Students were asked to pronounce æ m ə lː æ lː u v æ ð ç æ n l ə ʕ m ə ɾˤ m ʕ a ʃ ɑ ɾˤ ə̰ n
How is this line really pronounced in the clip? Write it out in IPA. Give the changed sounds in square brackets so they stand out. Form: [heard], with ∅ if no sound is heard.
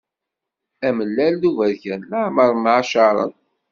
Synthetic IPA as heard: æ m ə lː æ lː u v æ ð ç æ n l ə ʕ m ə ɾˤ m ʕ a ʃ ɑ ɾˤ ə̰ n